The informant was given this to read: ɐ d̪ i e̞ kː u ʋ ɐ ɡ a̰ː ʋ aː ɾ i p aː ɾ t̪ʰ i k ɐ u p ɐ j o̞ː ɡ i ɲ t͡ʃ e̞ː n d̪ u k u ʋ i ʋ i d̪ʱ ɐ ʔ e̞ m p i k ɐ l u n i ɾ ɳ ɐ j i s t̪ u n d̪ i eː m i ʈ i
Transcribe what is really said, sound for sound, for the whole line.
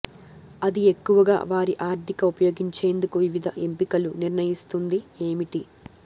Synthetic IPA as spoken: ɐ d̪ i e̞ kː u ʋ ɐ ɡ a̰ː ʋ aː ɾ i ʔ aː ɾ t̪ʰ i k ɐ u p ɐ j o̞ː ɡ i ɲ t͡ʃ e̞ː n d̪ u k u ʋ i ʋ i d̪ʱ ɐ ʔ e̞ m p i k ɐ l u n i ɾ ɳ ɐ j i s t̪ u n d̪ i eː m i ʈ i